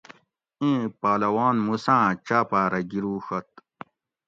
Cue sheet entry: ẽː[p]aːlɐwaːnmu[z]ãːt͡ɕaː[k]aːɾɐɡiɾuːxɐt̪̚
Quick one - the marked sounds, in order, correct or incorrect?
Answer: correct, incorrect: s, incorrect: p

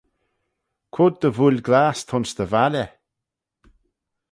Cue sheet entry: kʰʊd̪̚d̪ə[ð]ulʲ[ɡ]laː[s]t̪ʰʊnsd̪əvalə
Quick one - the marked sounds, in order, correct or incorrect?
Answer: incorrect: v, correct, correct

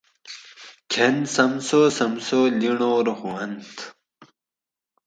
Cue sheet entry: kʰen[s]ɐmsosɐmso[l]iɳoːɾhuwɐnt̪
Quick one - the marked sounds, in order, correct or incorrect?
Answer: correct, correct

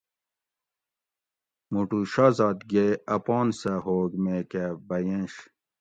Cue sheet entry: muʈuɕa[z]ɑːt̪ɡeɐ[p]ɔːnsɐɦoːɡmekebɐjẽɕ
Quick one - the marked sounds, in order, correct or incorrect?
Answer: correct, correct

